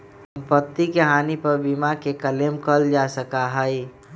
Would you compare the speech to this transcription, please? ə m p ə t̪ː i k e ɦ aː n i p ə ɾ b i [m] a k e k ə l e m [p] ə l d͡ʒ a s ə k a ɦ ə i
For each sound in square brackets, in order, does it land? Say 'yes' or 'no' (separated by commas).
yes, no